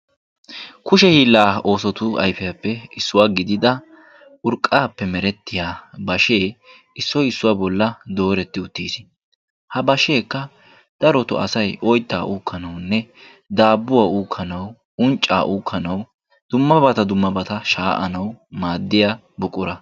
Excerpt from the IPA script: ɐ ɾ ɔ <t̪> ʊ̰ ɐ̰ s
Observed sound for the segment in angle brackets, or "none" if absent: t̪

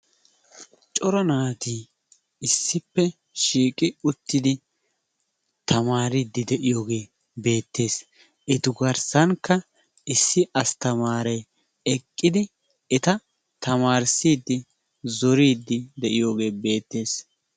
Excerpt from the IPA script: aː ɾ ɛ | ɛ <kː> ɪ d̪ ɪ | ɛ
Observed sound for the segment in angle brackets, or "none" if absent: kʼː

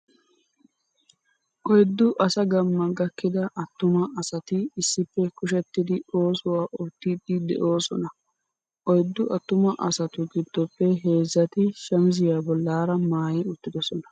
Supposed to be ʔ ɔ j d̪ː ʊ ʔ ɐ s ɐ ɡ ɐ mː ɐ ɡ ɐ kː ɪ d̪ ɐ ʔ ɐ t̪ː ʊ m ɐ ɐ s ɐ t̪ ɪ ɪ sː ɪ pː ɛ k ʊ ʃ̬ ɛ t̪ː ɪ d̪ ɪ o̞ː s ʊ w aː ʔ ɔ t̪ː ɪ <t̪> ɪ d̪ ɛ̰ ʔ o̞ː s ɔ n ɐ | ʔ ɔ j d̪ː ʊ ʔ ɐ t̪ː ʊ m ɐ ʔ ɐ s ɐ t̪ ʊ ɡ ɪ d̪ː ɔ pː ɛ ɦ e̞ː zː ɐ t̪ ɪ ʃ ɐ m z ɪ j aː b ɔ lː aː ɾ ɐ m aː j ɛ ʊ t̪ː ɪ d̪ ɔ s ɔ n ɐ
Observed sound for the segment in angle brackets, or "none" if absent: d̪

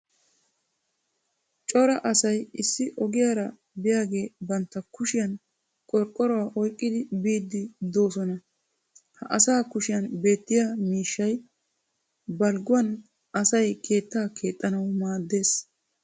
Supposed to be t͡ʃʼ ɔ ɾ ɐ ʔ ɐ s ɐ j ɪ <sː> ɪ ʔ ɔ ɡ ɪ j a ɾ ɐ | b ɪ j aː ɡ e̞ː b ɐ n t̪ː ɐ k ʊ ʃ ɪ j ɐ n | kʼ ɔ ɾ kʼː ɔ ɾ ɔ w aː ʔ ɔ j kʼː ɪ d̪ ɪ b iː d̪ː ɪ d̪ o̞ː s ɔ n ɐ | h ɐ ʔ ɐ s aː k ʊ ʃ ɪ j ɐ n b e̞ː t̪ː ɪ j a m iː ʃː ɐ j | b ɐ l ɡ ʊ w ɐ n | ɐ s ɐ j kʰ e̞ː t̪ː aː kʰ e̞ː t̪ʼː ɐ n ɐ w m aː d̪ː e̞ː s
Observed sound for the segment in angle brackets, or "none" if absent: sː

